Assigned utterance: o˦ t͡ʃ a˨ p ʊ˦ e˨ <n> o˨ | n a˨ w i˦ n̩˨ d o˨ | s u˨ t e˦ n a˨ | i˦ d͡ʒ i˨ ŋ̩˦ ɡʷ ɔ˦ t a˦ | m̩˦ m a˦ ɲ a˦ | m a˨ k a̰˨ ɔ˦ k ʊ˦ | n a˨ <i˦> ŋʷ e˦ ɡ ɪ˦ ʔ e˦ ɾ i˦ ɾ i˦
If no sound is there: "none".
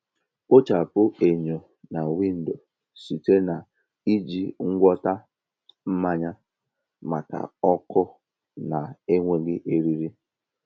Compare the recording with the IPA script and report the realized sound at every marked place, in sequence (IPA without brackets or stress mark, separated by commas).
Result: ɲ, e˦